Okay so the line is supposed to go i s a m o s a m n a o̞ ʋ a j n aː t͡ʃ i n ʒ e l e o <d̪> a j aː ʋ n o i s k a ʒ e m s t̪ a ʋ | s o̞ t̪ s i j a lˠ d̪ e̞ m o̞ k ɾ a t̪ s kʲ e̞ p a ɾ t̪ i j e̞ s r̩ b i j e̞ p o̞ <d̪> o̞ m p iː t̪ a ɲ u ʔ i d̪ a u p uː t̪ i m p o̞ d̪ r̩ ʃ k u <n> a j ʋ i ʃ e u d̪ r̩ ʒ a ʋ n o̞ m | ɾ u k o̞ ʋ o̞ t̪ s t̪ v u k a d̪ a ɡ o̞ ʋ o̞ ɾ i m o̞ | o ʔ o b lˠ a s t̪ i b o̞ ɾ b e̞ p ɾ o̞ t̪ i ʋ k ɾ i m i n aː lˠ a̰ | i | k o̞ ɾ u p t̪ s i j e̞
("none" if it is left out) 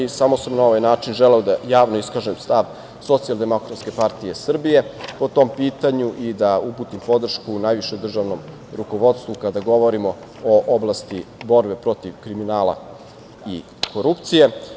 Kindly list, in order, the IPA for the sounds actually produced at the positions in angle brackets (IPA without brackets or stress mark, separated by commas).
d̪, t̪, n